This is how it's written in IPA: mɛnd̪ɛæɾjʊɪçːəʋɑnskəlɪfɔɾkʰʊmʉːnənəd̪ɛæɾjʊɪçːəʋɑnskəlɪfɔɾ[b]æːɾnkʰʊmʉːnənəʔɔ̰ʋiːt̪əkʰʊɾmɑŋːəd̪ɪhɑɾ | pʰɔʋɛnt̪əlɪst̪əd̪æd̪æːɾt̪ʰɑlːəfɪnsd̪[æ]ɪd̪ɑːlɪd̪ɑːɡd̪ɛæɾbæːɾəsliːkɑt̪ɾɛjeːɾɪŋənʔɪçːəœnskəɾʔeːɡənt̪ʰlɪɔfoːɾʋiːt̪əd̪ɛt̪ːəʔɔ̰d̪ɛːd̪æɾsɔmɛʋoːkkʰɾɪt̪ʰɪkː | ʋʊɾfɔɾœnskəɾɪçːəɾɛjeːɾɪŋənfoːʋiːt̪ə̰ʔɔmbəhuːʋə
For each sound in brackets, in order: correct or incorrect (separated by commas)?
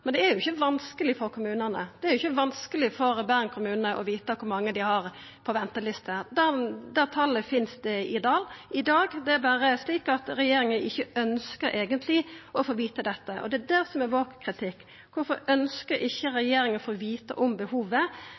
correct, incorrect